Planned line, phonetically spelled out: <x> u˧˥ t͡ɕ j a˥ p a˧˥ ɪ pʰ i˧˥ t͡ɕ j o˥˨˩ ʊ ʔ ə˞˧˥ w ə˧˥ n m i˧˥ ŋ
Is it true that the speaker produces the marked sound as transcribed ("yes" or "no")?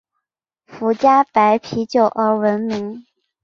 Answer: no